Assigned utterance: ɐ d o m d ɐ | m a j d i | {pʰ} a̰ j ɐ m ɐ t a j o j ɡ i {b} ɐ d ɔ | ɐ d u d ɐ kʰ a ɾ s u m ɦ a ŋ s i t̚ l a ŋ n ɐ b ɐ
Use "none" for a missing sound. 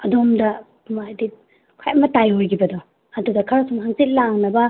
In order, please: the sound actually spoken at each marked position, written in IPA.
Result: kʰ, b

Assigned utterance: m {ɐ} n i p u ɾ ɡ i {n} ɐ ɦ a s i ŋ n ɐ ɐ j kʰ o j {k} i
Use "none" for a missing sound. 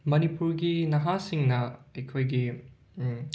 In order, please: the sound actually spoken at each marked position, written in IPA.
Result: ɐ, n, ɡ

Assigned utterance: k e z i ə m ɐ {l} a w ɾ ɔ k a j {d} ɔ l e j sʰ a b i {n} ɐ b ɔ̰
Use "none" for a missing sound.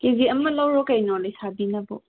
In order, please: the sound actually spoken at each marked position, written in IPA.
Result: l, n, n

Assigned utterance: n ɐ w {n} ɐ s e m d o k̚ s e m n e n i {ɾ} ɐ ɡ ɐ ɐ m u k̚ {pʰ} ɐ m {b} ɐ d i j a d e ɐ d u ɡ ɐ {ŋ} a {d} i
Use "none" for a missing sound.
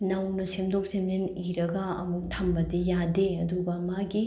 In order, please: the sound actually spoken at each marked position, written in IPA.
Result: n, ɾ, tʰ, b, m, ɡ

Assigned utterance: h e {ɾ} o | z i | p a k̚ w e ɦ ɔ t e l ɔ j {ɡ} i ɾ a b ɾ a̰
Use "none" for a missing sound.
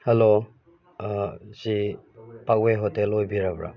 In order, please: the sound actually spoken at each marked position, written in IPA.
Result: l, b

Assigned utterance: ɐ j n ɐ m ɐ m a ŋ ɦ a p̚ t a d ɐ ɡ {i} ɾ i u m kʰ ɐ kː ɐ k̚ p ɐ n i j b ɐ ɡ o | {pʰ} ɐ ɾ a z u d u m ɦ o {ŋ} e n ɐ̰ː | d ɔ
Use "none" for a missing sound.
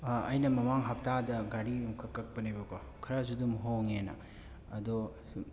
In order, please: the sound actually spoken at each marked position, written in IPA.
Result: a, kʰ, ŋ

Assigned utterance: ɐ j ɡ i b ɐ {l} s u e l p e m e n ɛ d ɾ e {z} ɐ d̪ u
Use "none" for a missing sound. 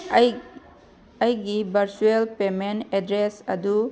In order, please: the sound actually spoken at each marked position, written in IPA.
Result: ɾ, s

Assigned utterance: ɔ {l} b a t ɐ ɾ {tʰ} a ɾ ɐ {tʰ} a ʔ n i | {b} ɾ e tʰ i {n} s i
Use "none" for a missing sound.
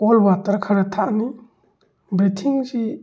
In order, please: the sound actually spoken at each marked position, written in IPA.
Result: l, kʰ, tʰ, b, ŋ

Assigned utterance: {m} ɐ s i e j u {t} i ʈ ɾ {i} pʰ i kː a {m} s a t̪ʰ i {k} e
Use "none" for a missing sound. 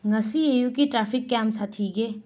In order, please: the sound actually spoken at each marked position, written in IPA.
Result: ŋ, k, a, m, ɡ

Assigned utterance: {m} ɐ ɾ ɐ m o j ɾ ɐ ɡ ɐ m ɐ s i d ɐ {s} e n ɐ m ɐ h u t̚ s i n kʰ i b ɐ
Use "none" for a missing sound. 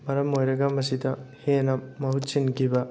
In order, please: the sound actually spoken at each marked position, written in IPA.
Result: m, h

